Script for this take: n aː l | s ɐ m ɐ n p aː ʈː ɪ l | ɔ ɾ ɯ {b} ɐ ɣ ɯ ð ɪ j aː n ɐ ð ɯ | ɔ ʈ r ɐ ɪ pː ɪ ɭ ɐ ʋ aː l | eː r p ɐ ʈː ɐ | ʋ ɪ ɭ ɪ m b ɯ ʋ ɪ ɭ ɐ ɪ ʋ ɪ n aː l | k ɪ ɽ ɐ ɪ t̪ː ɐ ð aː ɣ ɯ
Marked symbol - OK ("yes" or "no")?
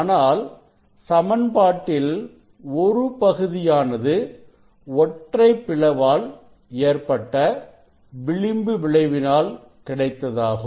no